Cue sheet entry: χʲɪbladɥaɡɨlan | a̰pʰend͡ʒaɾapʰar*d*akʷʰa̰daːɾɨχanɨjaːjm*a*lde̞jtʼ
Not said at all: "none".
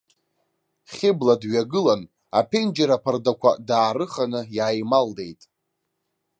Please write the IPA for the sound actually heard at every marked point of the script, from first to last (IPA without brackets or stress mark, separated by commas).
d, a